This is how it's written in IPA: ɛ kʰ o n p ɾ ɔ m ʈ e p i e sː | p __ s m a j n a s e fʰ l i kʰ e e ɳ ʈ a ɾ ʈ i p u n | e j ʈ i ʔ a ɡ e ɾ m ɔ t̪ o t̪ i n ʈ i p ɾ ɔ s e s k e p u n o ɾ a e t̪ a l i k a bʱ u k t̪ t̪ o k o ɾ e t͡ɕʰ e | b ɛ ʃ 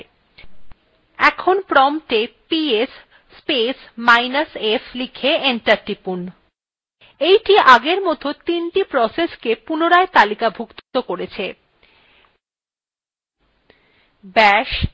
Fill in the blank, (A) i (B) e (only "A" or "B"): B